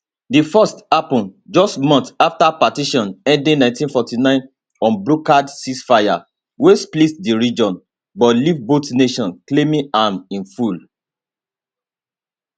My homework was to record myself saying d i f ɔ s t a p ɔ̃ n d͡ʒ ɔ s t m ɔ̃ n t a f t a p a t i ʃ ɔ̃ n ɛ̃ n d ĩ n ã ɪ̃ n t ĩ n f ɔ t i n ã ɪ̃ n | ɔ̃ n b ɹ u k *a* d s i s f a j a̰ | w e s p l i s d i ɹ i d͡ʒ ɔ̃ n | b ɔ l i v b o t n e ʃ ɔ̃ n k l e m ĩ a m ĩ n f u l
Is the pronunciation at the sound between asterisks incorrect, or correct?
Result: correct